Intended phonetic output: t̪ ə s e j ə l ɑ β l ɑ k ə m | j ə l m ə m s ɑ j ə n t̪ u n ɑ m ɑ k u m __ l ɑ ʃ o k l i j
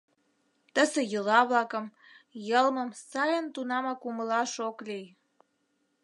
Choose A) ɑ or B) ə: B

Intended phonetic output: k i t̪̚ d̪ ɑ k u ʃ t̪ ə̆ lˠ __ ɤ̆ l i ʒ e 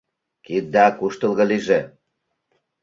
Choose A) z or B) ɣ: B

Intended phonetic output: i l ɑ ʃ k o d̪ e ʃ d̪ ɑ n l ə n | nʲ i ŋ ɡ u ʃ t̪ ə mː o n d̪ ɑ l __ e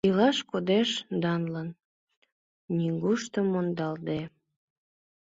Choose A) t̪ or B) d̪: B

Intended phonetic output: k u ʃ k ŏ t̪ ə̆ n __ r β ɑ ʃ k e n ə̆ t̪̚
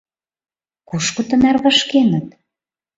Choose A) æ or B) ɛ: A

